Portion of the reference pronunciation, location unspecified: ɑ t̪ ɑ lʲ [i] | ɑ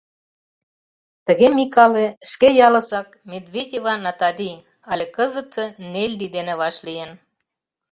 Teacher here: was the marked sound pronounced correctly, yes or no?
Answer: yes